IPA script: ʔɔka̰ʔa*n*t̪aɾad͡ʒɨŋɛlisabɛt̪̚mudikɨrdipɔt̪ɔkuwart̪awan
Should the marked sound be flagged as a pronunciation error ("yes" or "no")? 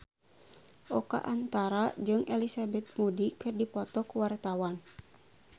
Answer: no